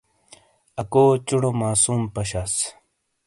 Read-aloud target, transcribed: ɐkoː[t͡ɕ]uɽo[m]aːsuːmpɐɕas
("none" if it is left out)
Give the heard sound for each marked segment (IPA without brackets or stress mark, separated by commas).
t͡ɕ, m